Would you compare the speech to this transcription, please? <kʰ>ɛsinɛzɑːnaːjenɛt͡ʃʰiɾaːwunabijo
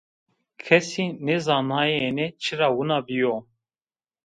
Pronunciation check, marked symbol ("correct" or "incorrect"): correct